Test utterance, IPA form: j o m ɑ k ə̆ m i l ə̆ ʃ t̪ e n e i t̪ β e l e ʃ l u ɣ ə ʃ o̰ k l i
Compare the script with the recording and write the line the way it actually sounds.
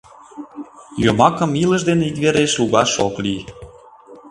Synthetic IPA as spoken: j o m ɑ k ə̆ m i l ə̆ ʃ d̪ e n e i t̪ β e ɾ e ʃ l u ɣ ɑ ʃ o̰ k l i